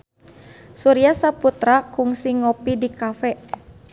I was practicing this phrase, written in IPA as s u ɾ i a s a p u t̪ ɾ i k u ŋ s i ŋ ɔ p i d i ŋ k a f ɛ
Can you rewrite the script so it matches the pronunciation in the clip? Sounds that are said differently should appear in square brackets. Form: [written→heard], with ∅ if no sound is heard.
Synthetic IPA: s u ɾ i a s a p u t̪ ɾ [i→a] k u ŋ s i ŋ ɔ p i d i [ŋ→∅] k a f ɛ